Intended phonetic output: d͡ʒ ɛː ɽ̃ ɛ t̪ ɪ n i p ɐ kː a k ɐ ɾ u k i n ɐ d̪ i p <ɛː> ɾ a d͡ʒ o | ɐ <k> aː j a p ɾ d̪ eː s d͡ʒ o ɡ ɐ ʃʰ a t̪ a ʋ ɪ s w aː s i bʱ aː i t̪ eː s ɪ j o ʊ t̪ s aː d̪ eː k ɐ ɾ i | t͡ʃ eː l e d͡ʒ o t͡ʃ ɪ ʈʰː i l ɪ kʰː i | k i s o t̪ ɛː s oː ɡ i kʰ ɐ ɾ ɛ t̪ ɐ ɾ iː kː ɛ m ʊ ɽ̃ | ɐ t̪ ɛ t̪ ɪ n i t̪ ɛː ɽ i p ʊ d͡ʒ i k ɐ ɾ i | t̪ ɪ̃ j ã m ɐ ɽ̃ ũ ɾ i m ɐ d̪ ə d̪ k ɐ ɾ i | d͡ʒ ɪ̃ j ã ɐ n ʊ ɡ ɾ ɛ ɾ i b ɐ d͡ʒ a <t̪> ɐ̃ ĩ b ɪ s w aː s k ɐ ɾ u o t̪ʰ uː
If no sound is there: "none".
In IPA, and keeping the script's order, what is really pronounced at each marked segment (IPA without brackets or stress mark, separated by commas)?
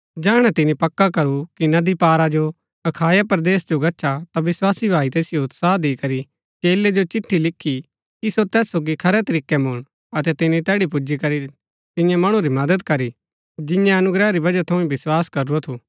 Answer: aː, kʰ, t̪ʰ